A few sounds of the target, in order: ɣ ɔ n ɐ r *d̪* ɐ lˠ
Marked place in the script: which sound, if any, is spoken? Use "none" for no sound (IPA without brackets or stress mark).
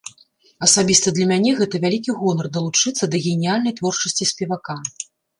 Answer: d̪